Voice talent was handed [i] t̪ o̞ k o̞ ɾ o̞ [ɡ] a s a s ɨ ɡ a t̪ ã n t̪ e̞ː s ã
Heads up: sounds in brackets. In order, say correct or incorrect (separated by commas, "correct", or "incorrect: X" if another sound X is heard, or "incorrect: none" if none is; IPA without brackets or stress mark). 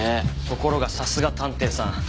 incorrect: e, correct